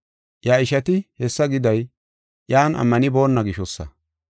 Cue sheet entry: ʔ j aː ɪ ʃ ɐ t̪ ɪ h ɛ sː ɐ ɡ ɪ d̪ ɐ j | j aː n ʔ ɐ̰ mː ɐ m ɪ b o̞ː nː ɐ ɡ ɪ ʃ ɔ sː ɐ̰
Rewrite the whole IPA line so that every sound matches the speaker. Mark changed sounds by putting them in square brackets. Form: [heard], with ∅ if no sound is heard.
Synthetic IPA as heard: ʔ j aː ɪ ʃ ɐ t̪ ɪ h ɛ sː ɐ ɡ ɪ d̪ ɐ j | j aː n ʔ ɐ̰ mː ɐ [n] ɪ b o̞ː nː ɐ ɡ ɪ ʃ ɔ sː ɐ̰